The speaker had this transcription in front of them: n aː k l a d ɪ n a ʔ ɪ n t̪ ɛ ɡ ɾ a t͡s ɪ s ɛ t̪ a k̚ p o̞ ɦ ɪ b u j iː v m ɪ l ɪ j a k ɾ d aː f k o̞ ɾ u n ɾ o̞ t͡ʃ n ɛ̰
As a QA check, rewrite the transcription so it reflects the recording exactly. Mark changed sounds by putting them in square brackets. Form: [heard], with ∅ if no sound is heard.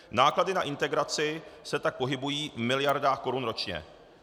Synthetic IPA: n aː k l a d ɪ n a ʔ ɪ n t̪ ɛ ɡ ɾ a t͡s ɪ s ɛ t̪ a k̚ p o̞ ɦ ɪ b u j iː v m ɪ l ɪ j a [∅] ɾ d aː [x] k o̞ ɾ u n ɾ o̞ t͡ʃ [ɲ] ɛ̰